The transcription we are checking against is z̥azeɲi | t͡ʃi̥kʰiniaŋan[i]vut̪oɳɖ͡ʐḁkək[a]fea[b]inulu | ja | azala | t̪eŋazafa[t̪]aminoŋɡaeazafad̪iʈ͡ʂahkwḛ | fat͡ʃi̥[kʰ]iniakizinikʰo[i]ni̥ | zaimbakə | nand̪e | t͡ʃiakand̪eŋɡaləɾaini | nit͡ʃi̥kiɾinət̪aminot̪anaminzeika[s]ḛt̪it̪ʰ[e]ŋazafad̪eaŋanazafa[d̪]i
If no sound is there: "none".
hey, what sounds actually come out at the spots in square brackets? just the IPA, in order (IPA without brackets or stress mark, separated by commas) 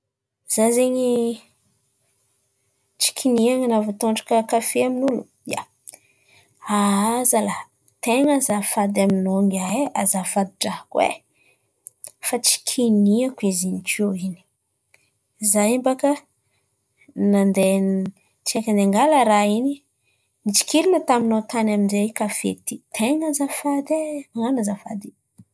a, a, m, d̪, kʰ, i, f, e, d̪